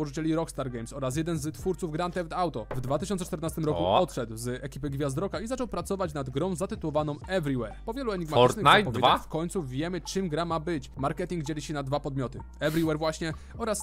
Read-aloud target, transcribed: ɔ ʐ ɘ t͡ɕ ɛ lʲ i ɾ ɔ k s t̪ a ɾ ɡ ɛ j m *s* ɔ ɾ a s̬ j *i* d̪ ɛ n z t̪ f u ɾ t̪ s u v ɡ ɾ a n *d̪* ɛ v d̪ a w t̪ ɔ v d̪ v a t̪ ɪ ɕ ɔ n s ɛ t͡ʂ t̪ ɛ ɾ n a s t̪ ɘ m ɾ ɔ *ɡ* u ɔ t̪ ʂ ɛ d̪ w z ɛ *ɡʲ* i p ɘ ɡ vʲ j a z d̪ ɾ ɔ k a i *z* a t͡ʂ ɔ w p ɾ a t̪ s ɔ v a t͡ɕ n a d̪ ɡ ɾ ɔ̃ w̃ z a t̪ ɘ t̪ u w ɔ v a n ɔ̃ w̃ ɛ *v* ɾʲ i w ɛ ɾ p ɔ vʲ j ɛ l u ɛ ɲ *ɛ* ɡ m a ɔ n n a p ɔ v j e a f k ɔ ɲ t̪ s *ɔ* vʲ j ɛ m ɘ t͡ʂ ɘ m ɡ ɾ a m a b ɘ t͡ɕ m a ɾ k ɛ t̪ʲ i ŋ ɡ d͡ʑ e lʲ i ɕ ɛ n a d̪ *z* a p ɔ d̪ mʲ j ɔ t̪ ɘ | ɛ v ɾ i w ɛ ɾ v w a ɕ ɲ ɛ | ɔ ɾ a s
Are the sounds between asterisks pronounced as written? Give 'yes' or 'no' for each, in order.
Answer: yes, no, no, no, no, yes, yes, no, no, no

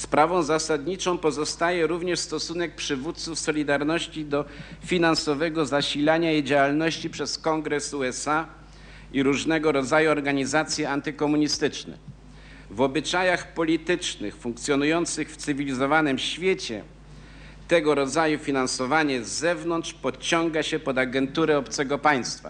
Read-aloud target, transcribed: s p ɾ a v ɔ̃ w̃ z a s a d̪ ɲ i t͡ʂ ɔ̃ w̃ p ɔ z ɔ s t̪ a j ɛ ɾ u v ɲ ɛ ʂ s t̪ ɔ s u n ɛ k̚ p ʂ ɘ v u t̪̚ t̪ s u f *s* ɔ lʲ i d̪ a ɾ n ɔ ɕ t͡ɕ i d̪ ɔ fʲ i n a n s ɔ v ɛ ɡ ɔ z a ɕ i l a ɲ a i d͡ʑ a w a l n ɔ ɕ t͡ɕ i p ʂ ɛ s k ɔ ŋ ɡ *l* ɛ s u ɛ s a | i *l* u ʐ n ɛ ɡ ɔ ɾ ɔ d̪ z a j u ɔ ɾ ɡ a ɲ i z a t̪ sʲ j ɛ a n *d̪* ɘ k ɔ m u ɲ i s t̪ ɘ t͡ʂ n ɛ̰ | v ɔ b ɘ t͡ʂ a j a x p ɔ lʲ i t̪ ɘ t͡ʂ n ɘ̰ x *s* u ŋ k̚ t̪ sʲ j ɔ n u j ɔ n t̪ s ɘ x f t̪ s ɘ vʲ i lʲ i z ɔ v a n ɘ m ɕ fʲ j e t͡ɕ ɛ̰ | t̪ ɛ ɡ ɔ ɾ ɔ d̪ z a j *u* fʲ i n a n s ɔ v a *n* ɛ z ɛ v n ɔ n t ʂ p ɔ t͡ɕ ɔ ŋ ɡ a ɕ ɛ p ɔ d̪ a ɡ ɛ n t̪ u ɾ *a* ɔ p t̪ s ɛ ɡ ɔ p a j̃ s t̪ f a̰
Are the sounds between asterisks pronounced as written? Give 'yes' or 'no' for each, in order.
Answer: yes, no, no, no, no, yes, no, no

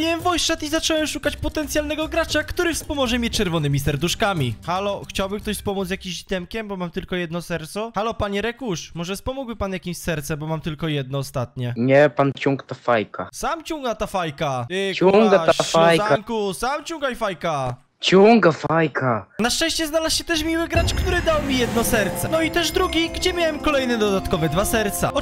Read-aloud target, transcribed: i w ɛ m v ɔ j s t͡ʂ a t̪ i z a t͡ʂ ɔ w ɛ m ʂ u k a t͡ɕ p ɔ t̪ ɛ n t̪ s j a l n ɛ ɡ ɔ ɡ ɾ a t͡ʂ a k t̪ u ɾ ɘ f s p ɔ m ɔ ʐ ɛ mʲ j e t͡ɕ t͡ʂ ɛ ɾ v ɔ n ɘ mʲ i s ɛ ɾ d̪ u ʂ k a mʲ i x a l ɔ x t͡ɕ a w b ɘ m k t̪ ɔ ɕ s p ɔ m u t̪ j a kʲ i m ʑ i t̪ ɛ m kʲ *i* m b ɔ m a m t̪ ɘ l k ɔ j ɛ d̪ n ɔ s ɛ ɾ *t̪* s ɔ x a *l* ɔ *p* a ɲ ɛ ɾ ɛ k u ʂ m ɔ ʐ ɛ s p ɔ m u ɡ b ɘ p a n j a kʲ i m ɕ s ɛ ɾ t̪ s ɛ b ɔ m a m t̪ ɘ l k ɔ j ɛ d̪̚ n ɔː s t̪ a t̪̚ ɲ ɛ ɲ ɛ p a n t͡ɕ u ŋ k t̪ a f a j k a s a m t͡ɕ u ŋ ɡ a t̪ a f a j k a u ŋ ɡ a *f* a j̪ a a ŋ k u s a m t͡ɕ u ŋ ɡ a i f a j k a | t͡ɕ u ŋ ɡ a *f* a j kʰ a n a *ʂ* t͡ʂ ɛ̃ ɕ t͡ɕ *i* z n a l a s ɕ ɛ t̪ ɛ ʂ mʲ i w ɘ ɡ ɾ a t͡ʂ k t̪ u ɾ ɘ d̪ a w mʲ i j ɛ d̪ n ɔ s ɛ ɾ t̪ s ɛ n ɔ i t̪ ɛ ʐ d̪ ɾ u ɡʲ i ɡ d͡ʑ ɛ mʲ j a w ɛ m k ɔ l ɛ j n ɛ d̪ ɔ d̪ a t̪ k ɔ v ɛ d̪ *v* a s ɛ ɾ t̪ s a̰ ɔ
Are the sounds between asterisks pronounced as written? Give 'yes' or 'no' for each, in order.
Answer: no, yes, yes, yes, yes, yes, yes, no, yes

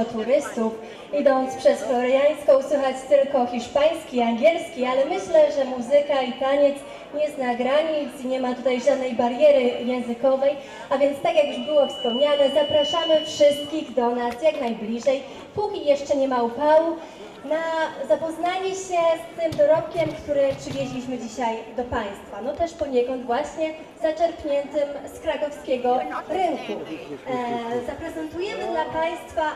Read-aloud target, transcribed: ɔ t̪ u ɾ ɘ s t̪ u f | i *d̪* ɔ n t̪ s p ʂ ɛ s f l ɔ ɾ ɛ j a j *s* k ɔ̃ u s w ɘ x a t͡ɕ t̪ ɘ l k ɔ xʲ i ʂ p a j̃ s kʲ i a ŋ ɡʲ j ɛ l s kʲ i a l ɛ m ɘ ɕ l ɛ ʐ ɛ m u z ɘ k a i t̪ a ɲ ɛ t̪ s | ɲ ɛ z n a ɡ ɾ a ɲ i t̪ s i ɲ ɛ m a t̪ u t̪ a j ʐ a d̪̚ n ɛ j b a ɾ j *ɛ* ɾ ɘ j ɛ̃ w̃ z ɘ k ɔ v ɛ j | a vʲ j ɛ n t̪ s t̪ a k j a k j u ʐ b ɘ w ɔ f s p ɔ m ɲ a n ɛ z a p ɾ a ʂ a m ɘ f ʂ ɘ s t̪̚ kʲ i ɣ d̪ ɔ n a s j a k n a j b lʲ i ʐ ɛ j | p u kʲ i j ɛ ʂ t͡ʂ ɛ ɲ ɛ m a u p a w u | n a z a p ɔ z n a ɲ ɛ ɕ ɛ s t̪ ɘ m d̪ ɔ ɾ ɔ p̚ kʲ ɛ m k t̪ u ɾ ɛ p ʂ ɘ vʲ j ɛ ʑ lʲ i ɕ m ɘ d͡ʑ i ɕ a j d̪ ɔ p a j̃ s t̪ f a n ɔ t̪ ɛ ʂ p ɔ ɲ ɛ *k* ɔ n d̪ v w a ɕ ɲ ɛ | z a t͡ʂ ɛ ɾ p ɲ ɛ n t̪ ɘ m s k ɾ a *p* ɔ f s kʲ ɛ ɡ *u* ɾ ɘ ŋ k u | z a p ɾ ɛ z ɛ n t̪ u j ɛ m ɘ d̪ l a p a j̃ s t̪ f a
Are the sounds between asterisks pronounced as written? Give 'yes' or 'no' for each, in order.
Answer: yes, yes, yes, yes, no, no

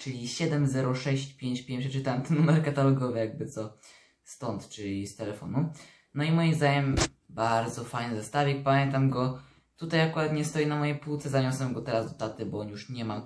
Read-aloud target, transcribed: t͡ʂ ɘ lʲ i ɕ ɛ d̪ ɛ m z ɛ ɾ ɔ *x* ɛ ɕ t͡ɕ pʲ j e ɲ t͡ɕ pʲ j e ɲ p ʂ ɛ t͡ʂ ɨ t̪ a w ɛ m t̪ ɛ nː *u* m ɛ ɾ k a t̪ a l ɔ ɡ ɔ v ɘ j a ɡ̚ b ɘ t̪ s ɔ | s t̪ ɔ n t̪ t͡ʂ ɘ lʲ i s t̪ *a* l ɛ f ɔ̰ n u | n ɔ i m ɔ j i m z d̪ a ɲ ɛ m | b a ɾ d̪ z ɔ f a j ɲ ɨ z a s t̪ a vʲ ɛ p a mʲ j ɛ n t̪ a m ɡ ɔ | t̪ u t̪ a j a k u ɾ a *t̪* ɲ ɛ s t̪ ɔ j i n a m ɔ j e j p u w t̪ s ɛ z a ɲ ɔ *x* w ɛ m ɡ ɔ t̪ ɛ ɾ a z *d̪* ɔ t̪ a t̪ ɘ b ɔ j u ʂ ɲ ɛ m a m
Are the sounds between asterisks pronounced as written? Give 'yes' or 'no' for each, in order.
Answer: no, yes, no, yes, no, yes

